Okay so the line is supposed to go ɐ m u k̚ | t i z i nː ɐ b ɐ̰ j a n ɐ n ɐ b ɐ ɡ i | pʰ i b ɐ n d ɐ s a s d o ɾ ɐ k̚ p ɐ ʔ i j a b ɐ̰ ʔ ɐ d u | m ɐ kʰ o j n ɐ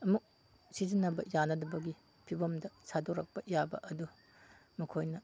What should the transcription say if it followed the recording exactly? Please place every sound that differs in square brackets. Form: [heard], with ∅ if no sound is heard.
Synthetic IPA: ɐ m u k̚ | [s] i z i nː ɐ b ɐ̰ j a n ɐ [d] ɐ b ɐ ɡ i | pʰ i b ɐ [m] d ɐ s a [∅] d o ɾ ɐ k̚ p ɐ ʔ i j a b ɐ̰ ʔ ɐ d u | m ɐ kʰ o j n ɐ